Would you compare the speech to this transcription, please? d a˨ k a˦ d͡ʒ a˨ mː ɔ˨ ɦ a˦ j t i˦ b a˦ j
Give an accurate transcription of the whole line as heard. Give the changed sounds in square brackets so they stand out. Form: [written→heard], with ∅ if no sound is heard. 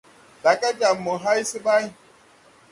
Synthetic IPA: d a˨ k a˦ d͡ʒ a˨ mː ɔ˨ ɦ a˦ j [t→s] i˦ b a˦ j